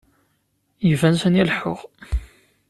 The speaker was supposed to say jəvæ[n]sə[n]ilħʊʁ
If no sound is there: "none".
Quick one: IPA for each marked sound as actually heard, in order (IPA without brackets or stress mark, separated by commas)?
n, n